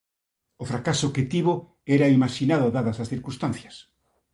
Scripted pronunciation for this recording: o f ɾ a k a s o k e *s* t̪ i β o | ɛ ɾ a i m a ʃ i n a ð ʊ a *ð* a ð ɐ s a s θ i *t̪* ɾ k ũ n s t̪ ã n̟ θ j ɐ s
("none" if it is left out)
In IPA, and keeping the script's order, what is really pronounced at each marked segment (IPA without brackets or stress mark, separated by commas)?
none, ð, none